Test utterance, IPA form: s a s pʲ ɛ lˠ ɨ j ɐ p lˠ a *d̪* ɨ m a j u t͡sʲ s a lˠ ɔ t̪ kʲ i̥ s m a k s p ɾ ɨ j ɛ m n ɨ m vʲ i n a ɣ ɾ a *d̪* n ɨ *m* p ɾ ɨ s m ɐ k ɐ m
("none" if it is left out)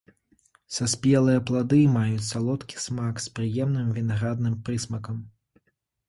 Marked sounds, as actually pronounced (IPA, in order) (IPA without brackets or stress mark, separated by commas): d̪, d̪, m